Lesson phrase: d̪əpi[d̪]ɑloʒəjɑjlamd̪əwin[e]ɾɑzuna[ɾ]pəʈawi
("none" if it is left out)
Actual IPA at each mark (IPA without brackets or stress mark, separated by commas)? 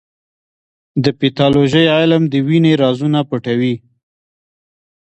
t̪, e, none